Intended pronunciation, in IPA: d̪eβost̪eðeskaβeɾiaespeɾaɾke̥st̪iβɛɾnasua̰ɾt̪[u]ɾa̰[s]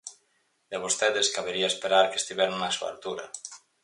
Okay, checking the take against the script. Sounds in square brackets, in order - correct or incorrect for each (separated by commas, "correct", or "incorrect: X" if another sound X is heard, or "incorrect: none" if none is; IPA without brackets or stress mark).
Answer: correct, incorrect: none